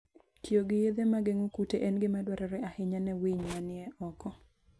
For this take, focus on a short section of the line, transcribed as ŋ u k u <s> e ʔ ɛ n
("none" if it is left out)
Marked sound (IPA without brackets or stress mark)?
t